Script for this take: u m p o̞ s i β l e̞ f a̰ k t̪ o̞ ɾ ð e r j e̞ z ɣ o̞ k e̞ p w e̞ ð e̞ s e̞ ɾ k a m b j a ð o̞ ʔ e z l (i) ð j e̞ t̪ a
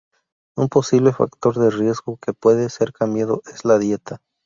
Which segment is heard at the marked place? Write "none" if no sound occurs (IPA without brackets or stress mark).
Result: a